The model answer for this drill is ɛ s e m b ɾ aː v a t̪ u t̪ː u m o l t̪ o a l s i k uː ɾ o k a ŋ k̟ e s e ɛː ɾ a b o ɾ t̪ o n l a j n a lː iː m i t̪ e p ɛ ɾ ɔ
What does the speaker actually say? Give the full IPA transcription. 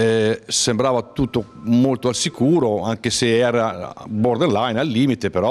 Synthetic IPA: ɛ s e m b ɾ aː v a t̪ u t̪ː o m o l t̪ o a l s i k uː ɾ o a ŋ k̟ e s e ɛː ɾ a b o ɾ d̪ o n l a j n a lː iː m i t̪ e p e ɾ ɔ

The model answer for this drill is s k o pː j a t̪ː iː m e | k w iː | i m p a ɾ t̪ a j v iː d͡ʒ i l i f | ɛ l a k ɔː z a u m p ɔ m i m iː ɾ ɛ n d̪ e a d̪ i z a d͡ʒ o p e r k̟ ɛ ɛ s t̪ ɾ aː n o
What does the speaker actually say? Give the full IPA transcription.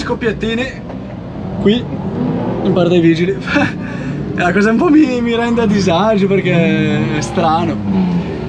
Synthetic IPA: s k o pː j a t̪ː iː n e | k w i | i m p a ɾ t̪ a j v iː d͡ʒ i l i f | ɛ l a k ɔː z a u m p ɔ m i m i ɾ ɛ n d̪ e a d̪ i z a d͡ʒ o p e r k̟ ɛ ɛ s t̪ ɾ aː n o

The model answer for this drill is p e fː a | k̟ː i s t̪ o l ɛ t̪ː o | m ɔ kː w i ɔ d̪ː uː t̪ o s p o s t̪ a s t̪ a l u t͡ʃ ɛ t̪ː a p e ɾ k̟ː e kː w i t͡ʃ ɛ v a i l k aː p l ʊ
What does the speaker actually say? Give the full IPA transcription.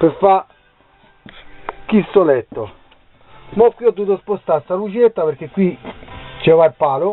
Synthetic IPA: p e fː a | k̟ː i s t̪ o l ɛ t̪ː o | m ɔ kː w i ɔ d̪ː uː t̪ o s p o s t̪ a s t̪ a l u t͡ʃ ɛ t̪ː a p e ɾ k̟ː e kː w i t͡ʃ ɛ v a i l p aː l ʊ

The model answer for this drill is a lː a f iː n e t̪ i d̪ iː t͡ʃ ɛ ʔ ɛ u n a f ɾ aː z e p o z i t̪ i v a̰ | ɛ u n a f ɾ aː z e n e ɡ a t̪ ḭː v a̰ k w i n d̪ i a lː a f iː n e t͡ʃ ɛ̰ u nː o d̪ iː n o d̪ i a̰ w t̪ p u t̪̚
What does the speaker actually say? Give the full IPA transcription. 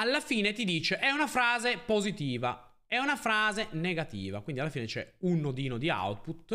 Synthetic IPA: a lː a f iː n e t̪ i d̪ iː t͡ʃ e ʔ ɛ u n a f ɾ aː z e p o z i t̪ iː v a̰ | ɛ u n a f ɾ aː z e n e ɡ a t̪ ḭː v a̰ k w i n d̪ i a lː a f iː n e t͡ʃ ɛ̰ u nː o d̪ iː n o d̪ i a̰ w t̪ p u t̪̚

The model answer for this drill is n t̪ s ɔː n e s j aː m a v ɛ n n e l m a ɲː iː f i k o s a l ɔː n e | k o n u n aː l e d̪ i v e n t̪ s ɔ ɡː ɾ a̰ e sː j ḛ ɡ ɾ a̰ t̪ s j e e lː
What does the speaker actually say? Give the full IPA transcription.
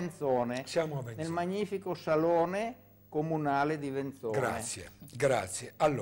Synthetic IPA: n t̪ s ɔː n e s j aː m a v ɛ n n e l m a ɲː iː f i k o s a l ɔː n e | k o m u n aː l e d̪ i v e n t̪ s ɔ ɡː ɾ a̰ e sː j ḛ ɡ ɾ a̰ t̪ s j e a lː

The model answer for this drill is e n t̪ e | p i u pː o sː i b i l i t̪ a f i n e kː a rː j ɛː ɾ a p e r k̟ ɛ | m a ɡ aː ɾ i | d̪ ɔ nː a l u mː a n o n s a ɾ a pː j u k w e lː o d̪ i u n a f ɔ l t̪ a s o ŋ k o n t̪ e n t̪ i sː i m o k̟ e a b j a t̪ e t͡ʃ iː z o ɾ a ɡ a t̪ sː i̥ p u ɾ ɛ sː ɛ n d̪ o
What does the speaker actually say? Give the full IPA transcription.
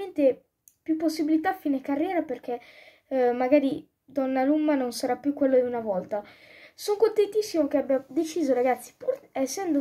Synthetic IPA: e n t̪ e | p j u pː o sː i b i l i t̪ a f i n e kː a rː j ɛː ɾ a p e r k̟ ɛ | m a ɡ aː ɾ i | d̪ ɔ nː a l u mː a n o n s a ɾ a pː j u k w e lː o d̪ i u n a v ɔ l t̪ a s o ŋ k o n t̪ e n t̪ i sː i m o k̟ e a b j a d̪ e t͡ʃ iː z o ɾ a ɡ a t̪ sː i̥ p u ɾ ɛ sː ɛ n d̪ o

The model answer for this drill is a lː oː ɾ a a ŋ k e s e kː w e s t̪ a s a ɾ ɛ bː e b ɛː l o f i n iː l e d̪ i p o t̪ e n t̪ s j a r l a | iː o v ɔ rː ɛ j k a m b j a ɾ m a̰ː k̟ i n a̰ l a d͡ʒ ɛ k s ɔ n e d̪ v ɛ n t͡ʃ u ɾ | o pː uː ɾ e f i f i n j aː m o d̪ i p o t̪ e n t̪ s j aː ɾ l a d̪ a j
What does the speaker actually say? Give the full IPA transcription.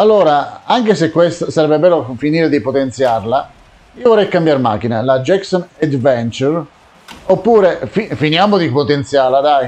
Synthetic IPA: a lː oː ɾ a a ŋ k e s e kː w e s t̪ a s a ɾ ɛ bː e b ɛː l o f i n iː ɾ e d̪ i p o t̪ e n t̪ s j a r l a | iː o v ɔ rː ɛ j k a m b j a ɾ m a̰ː k̟ i n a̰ l a d͡ʒ ɛ k s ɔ n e d̪ v ɛ n t͡ʃ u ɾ | o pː uː ɾ e f i f i n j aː m o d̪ i p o t̪ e n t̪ s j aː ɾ l a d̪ a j

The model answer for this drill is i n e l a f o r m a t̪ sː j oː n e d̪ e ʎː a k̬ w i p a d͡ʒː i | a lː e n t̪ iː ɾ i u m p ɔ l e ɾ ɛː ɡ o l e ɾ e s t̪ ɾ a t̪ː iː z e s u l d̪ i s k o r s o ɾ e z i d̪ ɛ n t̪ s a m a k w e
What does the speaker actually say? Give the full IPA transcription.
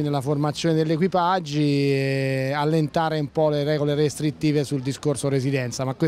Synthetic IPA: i n e l a f o r m a t̪ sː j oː n e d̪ e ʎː e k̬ w i p a d͡ʒː i | a lː e n t̪ aː ɾ e u m p ɔ l e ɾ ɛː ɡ o l e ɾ e s t̪ ɾ i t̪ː iː v e s u l d̪ i s k o r s o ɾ e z i d̪ ɛ n t̪ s a m a k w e

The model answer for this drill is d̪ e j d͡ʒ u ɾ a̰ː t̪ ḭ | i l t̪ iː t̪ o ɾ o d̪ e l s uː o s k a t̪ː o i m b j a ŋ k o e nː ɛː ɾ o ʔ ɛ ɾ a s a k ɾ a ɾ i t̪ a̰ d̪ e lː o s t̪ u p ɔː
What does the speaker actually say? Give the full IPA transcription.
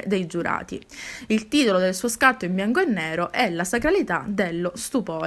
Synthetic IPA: d̪ e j d͡ʒ u ɾ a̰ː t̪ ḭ | i l t̪ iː t̪ o l o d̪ e l s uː o s k a t̪ː o i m b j a ŋ k o e nː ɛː ɾ o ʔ ɛ l a s a k ɾ a l i t̪ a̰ d̪ e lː o s t̪ u p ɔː

